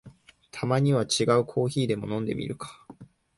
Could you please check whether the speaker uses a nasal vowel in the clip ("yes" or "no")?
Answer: yes